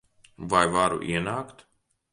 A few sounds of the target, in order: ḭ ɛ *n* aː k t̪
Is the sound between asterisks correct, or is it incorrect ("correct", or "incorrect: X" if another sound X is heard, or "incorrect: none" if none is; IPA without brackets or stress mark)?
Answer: correct